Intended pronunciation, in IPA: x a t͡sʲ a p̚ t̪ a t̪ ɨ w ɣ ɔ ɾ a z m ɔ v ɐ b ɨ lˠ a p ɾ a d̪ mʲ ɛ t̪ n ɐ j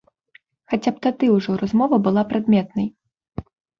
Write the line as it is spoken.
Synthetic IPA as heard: x a t͡sʲ a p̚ t̪ a d̪ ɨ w ʐ ɔ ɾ a z m ɔ v ɐ b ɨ lˠ a p ɾ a d̪ mʲ ɛ t̪ n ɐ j